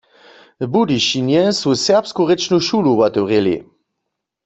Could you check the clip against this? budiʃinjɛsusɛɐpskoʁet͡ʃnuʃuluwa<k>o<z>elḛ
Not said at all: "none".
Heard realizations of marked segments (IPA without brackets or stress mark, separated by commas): t, ʁ